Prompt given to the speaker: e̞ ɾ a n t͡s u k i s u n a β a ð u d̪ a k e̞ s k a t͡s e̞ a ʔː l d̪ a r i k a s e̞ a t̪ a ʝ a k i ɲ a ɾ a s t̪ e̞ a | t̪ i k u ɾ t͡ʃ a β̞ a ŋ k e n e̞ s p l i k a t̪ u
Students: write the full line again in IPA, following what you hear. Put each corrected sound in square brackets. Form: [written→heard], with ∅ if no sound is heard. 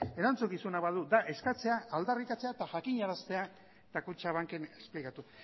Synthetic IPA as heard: e̞ ɾ a n t͡s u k i s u n a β a ð u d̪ a [k→ʔ] e̞ s k a t͡s e̞ a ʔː l d̪ a r i k a [s→t͡s] e̞ a t̪ a ʝ a k i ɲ a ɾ a s t̪ e̞ a | t̪ [i→a] k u [ɾ→∅] t͡ʃ a β̞ a ŋ k e n e̞ s p l i k a t̪ u